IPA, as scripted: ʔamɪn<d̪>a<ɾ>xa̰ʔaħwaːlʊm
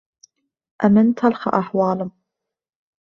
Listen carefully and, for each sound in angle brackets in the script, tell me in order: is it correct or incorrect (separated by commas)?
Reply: incorrect, incorrect